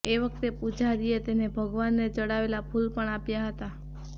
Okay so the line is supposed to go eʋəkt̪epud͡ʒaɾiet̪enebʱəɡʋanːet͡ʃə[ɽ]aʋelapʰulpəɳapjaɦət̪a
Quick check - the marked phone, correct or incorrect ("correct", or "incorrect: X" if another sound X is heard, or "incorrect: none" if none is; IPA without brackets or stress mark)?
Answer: correct